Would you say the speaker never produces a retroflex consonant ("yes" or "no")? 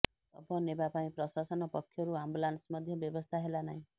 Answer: yes